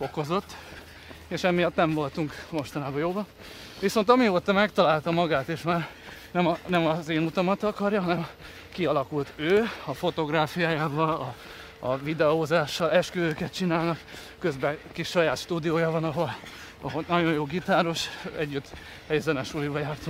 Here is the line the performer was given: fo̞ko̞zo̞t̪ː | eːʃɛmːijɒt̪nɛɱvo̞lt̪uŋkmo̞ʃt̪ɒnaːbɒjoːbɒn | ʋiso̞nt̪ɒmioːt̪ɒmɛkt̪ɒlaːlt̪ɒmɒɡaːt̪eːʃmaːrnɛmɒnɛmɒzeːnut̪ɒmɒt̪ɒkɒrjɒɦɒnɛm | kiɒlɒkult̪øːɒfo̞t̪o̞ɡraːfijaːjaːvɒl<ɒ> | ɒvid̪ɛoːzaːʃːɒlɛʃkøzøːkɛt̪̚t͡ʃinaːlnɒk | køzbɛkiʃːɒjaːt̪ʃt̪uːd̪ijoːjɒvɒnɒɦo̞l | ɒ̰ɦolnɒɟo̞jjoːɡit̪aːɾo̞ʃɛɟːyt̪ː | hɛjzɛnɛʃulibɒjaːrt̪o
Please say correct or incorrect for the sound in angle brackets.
correct